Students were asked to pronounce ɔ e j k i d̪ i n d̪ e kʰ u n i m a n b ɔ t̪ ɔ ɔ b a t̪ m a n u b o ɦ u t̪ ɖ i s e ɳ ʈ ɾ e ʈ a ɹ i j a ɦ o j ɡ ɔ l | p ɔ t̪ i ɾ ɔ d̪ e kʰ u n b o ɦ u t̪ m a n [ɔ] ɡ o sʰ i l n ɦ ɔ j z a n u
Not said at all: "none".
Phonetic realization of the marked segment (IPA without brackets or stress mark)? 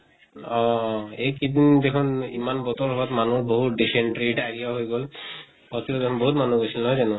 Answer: u